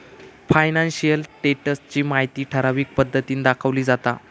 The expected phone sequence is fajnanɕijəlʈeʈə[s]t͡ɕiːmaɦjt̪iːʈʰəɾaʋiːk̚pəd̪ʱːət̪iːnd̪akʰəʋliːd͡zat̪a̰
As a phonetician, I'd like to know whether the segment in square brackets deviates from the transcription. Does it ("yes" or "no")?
no